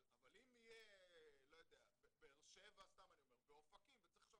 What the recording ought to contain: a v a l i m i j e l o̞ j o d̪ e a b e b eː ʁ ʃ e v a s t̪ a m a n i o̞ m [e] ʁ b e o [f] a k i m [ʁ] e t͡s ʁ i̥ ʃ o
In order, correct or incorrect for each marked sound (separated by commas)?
correct, correct, incorrect